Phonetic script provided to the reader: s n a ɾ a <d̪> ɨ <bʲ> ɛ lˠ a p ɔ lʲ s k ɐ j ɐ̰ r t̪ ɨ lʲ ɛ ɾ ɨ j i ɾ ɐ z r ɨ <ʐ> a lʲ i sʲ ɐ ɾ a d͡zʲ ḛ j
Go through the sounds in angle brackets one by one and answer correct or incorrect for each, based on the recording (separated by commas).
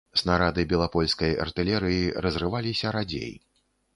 correct, correct, incorrect